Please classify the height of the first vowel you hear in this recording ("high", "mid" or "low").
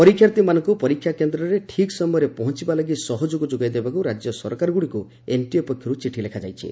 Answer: mid